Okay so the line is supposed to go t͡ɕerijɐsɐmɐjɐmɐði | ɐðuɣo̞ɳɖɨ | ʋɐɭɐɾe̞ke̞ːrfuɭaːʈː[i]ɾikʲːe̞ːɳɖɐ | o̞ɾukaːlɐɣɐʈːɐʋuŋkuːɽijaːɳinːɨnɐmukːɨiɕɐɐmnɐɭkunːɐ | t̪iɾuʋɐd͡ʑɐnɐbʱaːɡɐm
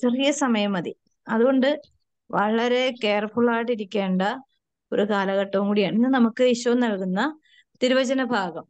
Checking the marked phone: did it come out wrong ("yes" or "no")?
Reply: no